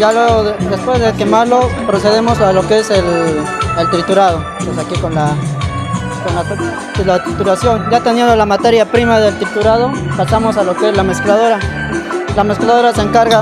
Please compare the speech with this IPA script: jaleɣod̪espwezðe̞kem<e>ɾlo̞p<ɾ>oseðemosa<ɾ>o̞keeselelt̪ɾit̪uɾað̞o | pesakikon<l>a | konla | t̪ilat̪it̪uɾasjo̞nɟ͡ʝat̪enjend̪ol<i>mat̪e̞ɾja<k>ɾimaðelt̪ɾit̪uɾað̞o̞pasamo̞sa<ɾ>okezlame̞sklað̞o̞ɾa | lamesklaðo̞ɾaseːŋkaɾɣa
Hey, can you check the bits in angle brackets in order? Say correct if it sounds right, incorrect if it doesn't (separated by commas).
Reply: incorrect, correct, incorrect, correct, incorrect, incorrect, incorrect